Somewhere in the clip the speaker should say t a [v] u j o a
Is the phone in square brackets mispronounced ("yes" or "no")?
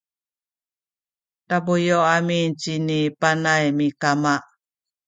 yes